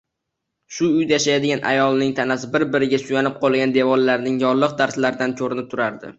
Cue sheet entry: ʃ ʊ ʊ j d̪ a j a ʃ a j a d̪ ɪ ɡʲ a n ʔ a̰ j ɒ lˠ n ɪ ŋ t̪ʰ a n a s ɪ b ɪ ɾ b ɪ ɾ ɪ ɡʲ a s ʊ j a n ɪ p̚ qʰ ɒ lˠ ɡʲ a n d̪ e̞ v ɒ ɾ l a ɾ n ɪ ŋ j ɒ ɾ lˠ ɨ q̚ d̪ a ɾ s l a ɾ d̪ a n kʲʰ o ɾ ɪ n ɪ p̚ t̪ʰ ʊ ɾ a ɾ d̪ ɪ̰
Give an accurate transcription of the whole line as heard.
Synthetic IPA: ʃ ʊ ʊ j d̪ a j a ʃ a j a d̪ ɪ ɡʲ a n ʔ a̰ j ɒ lˠ n ɪ ŋ t̪ʰ a n a s ɪ b ɪ ɾ b ɪ ɾ ɪ ɡʲ a s ʊ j a n ɪ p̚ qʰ ɒ lˠ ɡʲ a n d̪ e̞ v ɒ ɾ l a ɾ n ɪ ŋ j ɒ ɾ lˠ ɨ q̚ d̪ a ɾ s l a ɾ d̪ a n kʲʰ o ɾ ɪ n ɪ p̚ t̪ʰ ʊ ɾ a ɾ d̪ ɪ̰